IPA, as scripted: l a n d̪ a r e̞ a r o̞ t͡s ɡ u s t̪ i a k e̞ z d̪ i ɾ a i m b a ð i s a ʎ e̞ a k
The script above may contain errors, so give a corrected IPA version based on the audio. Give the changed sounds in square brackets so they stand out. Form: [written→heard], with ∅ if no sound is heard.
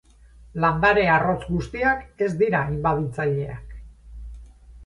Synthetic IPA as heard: l a n d̪ a [r→ɾ] e̞ a r o̞ t͡s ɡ u s t̪ i a k e̞ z d̪ i ɾ a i m b a ð i [s→t͡s] a ʎ e̞ a k